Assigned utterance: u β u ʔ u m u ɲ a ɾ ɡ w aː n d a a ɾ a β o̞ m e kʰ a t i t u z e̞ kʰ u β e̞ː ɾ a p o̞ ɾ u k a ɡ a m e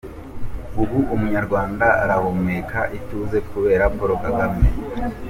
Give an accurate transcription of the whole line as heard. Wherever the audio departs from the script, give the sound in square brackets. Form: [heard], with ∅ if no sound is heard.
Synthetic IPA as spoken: u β u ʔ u m u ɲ a ɾ ɡ w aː n d a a ɾ a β o̞ m e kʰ a [ʔ] i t u z e̞ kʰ u β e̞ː ɾ a p o̞ ɾ [o] k a ɡ a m e